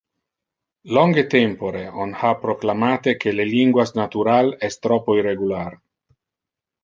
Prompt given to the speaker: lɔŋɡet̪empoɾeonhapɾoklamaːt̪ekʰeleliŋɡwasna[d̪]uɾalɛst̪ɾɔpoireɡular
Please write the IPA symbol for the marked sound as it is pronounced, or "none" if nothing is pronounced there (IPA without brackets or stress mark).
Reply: t̪